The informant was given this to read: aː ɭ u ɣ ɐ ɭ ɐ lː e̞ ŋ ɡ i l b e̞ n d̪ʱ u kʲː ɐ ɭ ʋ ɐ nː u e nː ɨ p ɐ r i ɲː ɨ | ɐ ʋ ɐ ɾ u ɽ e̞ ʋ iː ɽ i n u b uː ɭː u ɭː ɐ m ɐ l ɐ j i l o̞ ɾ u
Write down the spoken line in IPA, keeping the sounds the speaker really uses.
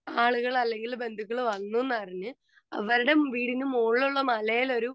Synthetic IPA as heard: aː ɭ u ɣ ɐ ɭ ɐ lː e̞ ŋ ɡ i l b e̞ n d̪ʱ u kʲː ɐ ɭ ʋ ɐ nː u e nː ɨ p ɐ r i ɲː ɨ | ɐ ʋ ɐ ɾ u ɽ e̞ ʋ iː ɽ i n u m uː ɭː u ɭː ɐ m ɐ l ɐ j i l o̞ ɾ u